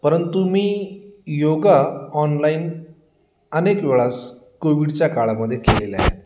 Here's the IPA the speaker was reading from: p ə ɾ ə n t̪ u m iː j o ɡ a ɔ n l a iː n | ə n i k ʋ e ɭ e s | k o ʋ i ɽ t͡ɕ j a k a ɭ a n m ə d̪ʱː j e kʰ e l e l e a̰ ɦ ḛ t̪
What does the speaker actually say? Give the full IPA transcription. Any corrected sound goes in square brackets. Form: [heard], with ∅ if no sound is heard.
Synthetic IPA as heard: p ə ɾ ə n t̪ u m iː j o ɡ a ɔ n l a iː n | ə n [e] k ʋ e ɭ [a] s | k o ʋ i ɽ t͡ɕ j a k a ɭ a [∅] m ə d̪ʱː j e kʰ e l e l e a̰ ɦ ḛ t̪